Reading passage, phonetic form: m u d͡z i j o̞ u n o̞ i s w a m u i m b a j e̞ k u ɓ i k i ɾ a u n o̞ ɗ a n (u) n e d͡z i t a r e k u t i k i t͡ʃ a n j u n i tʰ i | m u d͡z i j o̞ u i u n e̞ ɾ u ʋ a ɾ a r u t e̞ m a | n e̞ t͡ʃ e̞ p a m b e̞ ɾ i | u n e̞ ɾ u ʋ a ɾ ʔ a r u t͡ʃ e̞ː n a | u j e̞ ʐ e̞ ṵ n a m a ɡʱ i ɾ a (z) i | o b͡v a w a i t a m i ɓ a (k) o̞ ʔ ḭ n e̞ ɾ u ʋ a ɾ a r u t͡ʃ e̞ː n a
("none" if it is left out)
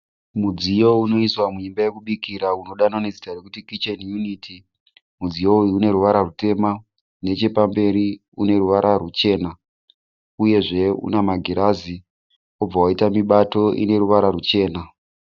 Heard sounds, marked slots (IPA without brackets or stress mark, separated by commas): o, z, t